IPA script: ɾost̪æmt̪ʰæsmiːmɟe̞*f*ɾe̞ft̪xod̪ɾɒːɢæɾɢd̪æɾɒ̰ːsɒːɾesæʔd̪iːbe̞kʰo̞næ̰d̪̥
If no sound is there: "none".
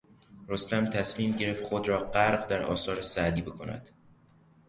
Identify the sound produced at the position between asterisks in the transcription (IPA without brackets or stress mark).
none